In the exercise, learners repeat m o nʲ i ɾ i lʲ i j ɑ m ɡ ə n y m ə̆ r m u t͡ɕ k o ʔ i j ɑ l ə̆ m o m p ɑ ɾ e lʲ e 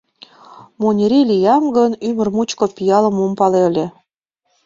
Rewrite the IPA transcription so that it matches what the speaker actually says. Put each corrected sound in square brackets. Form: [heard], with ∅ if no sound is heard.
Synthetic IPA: m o nʲ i ɾ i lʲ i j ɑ m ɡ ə n y m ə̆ r m u t͡ɕ k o [p] i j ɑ l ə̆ m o m p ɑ [l] e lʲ e